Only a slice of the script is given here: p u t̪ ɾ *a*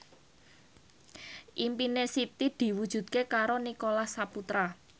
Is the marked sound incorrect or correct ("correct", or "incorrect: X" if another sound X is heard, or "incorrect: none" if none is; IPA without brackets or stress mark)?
correct